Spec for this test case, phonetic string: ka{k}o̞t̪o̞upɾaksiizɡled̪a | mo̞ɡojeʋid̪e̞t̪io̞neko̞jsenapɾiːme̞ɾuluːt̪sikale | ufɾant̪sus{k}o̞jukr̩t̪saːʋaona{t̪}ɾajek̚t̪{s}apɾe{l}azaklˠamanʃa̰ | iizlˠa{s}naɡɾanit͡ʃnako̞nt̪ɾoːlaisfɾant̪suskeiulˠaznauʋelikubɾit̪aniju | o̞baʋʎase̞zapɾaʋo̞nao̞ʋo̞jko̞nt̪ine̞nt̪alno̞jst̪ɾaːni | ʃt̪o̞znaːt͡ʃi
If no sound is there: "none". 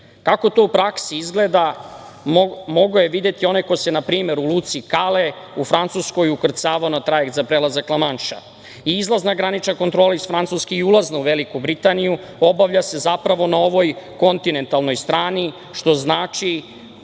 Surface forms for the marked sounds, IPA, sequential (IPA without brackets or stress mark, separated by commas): k, k, t̪, z, l, z